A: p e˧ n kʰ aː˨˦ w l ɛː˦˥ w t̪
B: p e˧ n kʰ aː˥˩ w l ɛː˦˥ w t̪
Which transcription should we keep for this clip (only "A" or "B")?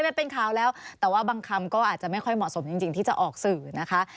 A